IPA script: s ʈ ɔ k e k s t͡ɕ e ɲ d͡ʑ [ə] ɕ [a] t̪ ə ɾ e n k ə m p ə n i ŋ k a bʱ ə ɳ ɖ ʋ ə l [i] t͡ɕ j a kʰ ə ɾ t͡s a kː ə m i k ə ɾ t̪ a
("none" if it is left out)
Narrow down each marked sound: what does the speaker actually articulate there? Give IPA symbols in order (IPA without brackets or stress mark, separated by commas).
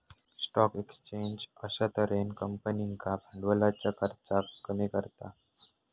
ə, a, a